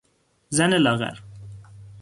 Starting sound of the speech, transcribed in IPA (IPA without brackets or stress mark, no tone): z